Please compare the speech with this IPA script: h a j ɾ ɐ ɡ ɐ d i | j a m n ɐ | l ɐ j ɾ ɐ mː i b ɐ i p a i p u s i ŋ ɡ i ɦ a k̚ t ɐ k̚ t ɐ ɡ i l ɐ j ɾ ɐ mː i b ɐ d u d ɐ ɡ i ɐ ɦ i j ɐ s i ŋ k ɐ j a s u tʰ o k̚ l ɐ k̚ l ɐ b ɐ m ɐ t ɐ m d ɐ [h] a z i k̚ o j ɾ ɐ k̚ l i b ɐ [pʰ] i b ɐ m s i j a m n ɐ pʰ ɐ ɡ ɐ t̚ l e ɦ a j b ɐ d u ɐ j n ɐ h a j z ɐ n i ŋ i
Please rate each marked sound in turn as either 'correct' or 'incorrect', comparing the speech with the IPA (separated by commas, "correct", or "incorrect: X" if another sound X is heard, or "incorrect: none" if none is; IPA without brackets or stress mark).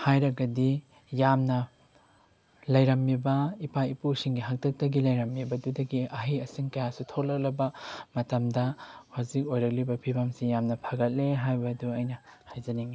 correct, correct